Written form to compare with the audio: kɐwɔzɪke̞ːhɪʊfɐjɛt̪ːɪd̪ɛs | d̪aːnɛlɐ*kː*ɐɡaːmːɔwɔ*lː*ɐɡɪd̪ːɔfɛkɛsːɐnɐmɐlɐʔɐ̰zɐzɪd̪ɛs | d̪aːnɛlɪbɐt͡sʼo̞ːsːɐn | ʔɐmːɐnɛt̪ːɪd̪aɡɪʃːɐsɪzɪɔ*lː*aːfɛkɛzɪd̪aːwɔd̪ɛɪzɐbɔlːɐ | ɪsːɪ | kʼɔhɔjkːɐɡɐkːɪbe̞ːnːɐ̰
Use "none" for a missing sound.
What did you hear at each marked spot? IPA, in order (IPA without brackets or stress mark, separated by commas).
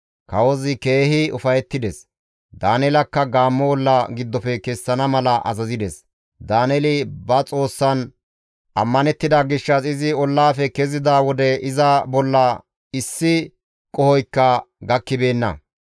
kː, lː, lː